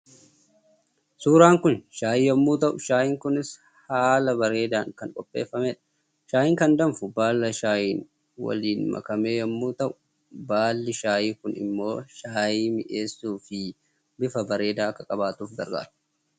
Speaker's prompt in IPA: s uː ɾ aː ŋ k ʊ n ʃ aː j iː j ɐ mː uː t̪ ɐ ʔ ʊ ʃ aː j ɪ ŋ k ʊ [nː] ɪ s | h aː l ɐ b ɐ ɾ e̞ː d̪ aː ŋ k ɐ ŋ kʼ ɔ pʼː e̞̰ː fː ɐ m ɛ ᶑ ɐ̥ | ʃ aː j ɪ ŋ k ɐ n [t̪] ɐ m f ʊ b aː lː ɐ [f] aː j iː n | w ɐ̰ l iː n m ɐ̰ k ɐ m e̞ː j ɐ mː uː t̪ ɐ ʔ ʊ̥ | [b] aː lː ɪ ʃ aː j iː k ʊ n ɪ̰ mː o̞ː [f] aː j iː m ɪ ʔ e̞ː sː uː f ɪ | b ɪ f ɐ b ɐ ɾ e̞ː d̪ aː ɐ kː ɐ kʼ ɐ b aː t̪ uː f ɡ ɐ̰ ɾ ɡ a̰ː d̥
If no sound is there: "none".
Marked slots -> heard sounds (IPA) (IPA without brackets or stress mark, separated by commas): n, d̪, ʃ, b, ʃ